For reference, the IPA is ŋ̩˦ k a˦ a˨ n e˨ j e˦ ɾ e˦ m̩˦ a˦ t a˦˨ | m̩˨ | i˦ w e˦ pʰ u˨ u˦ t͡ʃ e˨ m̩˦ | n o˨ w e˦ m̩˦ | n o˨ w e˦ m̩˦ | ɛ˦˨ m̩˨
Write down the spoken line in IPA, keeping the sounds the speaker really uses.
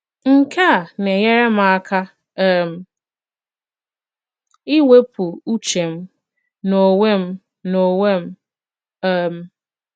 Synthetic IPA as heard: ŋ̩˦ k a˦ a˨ n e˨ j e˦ ɾ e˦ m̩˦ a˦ k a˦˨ | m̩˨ | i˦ w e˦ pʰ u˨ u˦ t͡ʃ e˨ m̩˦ | n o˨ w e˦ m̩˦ | n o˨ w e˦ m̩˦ | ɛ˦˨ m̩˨